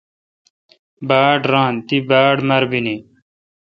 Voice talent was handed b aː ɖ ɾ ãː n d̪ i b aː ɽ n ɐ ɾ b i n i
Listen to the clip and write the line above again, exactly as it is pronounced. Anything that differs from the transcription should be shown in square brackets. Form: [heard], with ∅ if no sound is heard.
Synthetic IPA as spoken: b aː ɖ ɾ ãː n [t̪] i b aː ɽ [m] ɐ ɾ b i n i